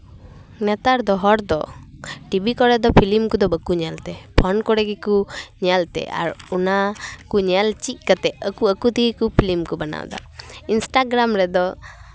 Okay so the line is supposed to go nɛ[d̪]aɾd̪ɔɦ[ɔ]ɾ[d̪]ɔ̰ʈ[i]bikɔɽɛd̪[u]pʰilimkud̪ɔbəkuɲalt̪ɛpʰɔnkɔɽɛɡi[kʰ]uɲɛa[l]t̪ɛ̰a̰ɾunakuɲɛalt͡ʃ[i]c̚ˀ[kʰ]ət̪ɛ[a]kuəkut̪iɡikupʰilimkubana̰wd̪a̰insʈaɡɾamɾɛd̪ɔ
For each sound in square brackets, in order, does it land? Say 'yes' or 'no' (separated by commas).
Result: no, yes, yes, yes, no, no, yes, yes, no, no